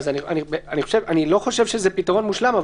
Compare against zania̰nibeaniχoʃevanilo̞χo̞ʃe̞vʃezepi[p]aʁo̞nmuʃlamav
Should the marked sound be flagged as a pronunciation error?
yes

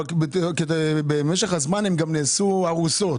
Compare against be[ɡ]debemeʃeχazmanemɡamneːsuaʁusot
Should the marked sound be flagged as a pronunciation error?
yes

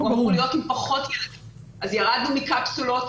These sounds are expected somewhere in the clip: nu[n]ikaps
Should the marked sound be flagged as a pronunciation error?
yes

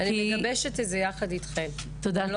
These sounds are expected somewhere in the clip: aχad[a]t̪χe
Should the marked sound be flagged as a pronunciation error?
yes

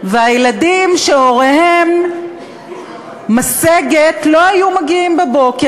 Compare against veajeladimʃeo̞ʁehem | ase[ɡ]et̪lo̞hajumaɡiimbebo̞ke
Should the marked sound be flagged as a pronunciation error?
no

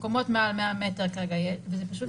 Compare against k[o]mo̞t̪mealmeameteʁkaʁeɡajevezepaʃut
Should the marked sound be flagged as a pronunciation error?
no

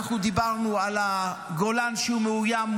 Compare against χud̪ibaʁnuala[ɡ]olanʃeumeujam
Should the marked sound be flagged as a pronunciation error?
no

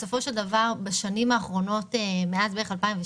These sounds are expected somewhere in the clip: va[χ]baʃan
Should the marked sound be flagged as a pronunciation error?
yes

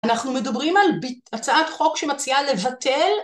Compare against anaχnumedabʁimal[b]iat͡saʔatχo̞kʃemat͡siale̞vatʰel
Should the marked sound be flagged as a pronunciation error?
no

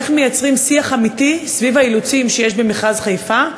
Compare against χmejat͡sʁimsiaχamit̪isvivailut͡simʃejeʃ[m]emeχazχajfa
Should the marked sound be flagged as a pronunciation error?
yes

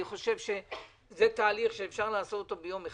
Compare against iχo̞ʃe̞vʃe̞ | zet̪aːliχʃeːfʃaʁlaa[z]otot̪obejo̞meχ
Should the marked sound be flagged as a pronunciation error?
yes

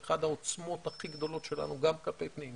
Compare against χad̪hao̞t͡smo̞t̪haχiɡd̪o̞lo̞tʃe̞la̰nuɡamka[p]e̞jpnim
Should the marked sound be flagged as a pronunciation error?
no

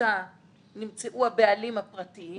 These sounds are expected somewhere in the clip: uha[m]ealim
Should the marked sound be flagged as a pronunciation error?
yes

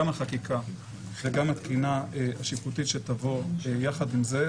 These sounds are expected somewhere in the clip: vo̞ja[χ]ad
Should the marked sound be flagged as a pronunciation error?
no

